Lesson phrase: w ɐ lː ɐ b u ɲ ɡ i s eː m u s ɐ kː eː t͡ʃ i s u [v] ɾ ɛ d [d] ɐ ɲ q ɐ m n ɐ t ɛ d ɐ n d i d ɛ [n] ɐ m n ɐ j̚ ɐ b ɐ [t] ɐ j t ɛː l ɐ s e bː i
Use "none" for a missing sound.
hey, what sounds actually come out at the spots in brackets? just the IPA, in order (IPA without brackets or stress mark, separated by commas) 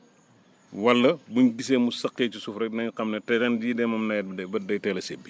f, n, m, d